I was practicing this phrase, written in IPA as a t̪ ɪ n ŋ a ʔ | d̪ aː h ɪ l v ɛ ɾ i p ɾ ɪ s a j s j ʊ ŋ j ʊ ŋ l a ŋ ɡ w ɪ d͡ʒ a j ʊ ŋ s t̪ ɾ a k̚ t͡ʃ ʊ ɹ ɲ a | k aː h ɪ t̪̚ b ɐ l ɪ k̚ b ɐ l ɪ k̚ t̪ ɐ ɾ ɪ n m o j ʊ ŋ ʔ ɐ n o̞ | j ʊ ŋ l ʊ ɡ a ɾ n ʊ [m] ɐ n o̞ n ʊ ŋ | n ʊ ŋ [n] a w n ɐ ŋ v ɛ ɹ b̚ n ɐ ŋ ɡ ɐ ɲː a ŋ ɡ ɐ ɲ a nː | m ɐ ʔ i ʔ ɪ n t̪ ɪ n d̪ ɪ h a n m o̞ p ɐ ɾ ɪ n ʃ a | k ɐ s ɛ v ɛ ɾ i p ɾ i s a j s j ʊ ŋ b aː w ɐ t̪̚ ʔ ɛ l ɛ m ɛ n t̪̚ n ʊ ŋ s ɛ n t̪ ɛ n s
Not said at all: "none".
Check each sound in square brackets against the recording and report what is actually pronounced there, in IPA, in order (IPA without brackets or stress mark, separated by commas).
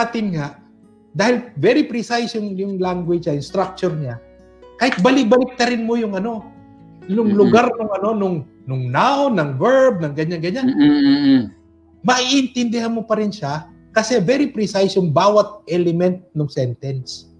ŋ, n